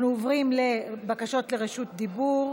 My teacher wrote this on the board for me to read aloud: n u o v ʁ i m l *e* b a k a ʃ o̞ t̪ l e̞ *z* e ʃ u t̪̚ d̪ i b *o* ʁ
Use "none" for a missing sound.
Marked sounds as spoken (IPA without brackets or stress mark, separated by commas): e, ʁ, u